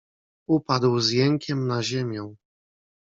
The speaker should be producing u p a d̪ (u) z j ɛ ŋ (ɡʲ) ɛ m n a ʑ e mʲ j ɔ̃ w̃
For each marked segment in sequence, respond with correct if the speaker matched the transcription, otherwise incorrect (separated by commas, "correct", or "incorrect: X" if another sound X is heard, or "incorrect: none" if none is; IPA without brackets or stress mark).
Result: incorrect: w, incorrect: kʲ